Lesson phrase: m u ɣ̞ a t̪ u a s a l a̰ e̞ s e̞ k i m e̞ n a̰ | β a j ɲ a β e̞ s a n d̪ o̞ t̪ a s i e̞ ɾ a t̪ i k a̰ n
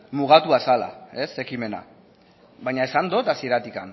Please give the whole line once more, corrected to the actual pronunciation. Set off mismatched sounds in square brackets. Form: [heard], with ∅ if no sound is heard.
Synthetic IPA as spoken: m u ɣ̞ a t̪ u a s a l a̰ e̞ s e̞ k i m e̞ n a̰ | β a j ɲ a [∅] e̞ s a n d̪ o̞ t̪ a s i e̞ ɾ a t̪ i k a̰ n